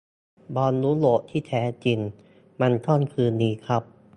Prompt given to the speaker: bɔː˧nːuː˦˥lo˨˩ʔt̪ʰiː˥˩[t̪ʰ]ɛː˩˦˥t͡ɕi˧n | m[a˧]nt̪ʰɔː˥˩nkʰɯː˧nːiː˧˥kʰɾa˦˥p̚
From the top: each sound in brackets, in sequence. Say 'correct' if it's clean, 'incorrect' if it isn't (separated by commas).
correct, correct